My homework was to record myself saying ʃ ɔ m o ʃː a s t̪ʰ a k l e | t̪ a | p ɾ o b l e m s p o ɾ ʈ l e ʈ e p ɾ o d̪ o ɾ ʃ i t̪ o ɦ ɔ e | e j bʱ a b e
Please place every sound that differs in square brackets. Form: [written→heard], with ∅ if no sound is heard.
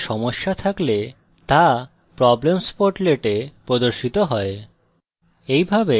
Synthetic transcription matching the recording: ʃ ɔ m o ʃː a [s→∅] t̪ʰ a k l e | t̪ a | p ɾ [o→ɔ] b l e m s p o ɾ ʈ l e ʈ e p ɾ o d̪ o ɾ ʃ i t̪ o ɦ ɔ e | e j bʱ a b e